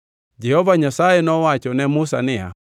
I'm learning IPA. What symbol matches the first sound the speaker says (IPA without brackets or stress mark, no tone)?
d͡ʒ